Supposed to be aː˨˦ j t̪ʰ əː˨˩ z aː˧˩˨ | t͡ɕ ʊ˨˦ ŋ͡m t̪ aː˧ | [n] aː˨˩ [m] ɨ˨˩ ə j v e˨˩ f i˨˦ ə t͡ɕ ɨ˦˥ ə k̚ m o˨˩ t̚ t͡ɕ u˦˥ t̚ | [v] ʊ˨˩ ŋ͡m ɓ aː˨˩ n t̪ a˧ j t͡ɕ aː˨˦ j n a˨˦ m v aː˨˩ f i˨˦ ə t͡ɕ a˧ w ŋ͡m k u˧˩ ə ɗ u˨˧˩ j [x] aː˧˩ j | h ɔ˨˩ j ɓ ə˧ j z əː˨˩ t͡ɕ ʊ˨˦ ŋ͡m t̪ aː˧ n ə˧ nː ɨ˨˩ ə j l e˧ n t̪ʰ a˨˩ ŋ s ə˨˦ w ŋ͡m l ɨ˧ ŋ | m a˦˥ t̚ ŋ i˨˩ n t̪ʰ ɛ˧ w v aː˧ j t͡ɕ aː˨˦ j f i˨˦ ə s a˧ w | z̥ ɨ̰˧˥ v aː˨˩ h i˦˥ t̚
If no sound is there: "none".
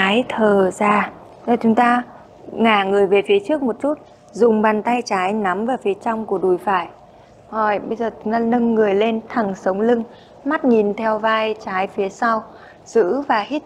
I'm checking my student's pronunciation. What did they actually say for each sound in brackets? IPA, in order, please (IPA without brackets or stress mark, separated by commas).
ŋ, ŋ, z, f